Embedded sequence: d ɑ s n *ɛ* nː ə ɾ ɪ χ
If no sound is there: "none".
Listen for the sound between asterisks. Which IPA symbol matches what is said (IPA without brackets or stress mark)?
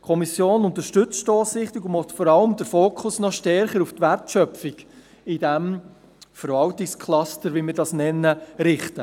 ɛ